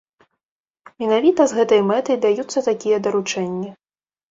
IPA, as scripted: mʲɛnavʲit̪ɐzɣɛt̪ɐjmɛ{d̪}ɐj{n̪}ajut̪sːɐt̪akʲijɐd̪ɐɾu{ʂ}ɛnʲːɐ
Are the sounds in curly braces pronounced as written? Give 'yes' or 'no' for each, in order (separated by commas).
no, no, no